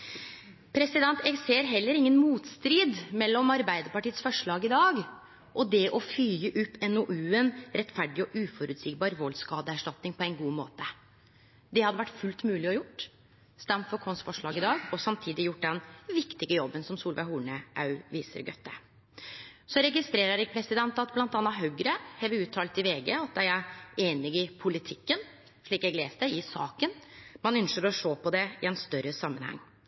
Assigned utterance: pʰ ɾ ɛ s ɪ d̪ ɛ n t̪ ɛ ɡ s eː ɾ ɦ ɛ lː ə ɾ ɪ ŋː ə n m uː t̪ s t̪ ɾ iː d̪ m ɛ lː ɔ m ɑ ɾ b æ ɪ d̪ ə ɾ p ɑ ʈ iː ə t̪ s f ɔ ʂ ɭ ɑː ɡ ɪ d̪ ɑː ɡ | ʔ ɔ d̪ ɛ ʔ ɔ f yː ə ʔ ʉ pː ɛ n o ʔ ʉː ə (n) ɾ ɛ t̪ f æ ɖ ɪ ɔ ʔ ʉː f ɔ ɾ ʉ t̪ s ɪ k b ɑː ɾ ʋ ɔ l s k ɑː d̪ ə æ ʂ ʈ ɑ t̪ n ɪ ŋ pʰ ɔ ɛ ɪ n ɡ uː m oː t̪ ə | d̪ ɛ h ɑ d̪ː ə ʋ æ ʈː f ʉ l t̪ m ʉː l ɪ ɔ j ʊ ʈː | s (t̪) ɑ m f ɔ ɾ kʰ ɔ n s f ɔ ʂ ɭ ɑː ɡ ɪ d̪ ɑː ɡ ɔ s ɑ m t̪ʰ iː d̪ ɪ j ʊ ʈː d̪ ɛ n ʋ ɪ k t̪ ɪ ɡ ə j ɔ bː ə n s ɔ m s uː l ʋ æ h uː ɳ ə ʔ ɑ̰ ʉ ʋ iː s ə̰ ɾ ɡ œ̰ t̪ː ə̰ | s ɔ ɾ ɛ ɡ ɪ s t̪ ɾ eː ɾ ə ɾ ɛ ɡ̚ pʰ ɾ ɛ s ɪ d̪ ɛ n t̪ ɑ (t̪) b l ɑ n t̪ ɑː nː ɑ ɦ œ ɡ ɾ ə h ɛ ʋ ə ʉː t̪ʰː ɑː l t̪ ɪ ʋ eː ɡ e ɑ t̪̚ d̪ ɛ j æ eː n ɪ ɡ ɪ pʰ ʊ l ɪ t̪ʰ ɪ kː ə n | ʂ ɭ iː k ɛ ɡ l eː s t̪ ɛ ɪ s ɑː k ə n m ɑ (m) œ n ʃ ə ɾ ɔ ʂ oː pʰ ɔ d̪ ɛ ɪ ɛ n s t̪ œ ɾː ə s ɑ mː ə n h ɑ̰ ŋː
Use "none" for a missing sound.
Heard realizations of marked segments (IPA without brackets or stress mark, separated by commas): n, t̪, t̪, n